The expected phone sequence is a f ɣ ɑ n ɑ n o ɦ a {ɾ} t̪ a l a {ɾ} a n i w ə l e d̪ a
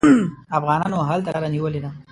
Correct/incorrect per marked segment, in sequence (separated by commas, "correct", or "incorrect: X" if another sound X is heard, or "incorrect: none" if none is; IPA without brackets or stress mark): incorrect: l, correct